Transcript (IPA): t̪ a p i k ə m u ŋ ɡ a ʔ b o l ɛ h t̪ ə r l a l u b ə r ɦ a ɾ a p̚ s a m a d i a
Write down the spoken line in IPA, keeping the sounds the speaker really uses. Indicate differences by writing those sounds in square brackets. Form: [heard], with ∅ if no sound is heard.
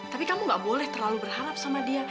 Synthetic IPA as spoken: t̪ a p i k [a] m u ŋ ɡ a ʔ b o l ɛ h t̪ ə r l a l u b ə r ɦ a ɾ a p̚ s a m a d i a